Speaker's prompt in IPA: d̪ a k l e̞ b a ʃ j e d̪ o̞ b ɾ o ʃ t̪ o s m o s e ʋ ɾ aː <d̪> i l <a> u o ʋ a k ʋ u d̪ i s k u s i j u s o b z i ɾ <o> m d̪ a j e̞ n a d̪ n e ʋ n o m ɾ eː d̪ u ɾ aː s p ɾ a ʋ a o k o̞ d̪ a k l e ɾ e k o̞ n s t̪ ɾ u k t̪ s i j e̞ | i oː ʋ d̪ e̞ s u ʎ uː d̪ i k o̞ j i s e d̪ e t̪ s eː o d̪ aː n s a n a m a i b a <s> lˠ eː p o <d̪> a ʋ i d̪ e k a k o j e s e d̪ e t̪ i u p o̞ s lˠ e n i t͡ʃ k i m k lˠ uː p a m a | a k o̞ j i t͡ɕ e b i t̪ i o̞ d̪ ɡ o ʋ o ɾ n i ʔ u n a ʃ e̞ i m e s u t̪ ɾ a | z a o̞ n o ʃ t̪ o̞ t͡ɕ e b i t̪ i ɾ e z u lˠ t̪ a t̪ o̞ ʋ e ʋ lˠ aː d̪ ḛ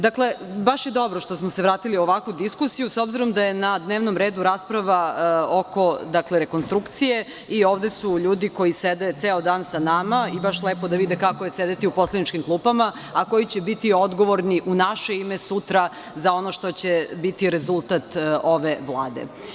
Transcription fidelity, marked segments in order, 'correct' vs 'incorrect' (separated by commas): incorrect, incorrect, correct, incorrect, correct